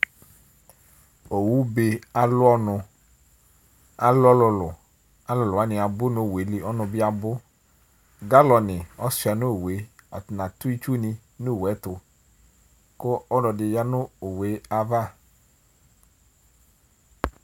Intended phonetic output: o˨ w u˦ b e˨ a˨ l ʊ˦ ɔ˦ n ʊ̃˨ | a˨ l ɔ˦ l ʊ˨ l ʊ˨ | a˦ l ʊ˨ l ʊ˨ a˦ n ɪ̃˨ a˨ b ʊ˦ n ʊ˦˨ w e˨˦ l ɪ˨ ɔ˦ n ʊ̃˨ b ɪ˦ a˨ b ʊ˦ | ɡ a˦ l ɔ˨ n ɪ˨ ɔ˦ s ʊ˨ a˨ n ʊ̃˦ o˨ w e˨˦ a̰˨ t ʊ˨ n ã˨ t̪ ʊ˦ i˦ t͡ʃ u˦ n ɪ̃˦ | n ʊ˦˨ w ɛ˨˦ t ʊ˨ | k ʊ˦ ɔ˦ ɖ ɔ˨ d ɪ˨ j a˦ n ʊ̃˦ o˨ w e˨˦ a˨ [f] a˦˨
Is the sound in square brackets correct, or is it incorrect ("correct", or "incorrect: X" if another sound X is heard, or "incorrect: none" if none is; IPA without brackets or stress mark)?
incorrect: v